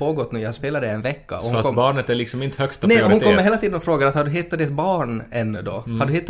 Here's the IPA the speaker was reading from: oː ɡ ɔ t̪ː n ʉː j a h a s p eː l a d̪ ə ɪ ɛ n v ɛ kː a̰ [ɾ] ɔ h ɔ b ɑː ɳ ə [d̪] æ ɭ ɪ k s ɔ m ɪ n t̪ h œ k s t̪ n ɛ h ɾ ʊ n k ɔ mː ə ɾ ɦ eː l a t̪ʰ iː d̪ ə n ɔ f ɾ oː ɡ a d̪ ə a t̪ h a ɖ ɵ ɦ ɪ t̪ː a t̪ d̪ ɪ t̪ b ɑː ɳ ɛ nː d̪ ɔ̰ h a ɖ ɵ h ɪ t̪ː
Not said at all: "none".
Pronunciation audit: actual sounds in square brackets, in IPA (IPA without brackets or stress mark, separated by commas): none, t̪